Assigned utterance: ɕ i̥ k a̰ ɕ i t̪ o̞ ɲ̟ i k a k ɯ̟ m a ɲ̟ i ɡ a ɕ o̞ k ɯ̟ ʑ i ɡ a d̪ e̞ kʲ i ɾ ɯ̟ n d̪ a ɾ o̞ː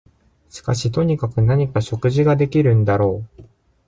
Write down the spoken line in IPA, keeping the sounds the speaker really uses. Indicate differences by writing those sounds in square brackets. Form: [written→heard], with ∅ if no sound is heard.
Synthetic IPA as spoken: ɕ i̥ k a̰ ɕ i t̪ o̞ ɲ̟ i k a k ɯ̟ [m→n] a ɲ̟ i [ɡ→k] a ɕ o̞ k ɯ̟ ʑ i ɡ a d̪ e̞ kʲ i ɾ [ɯ̟→ɯ̟̃] n d̪ a ɾ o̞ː